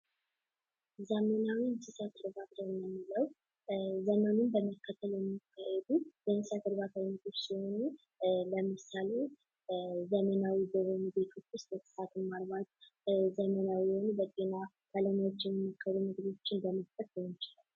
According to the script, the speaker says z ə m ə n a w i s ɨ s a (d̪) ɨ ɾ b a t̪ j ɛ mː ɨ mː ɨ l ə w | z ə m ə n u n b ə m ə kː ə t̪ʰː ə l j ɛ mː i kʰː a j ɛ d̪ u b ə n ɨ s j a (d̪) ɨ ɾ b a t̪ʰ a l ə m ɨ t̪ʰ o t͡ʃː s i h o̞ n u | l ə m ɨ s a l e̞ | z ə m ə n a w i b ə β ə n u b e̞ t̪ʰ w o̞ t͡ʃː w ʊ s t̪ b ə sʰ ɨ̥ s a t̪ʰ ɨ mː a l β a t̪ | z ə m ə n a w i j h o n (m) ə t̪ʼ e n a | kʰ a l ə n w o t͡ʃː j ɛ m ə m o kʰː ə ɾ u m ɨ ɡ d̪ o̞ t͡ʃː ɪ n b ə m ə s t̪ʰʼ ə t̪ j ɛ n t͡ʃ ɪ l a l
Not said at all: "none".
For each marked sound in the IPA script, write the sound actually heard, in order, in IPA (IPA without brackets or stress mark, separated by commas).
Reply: t̪, t̪, b